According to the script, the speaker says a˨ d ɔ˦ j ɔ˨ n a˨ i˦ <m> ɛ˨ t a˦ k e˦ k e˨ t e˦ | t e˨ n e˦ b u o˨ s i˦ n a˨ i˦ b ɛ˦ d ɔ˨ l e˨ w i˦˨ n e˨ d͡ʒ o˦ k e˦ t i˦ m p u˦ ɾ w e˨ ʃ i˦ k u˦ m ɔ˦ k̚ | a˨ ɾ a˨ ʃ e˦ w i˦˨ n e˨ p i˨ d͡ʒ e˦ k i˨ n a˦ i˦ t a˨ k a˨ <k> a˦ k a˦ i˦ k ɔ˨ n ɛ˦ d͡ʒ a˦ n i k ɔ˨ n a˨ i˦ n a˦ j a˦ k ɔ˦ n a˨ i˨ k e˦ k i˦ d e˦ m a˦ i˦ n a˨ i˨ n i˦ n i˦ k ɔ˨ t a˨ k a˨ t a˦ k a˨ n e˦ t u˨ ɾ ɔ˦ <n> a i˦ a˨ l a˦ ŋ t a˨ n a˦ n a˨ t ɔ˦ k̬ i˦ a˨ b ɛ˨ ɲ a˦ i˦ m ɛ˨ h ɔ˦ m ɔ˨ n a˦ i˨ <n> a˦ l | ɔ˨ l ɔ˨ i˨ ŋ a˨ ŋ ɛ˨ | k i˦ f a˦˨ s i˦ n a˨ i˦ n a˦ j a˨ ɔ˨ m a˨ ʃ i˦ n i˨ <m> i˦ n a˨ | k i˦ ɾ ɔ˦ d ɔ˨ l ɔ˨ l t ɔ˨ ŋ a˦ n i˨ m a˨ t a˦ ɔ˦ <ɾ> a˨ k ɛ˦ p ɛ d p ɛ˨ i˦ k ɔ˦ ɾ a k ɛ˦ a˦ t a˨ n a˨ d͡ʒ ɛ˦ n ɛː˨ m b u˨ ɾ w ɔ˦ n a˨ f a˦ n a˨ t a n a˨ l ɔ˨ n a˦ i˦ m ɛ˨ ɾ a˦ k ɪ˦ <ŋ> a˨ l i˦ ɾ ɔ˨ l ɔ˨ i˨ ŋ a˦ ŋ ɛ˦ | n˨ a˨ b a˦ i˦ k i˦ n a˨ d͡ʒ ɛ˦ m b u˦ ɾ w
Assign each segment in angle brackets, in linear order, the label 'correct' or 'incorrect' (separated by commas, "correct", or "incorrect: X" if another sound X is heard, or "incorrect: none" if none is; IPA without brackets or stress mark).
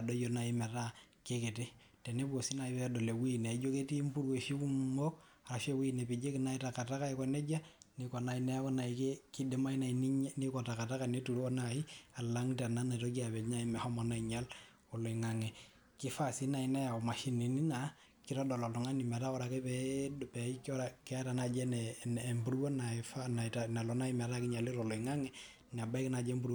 correct, incorrect: t, correct, incorrect: ɲ, incorrect: n, correct, incorrect: ɲ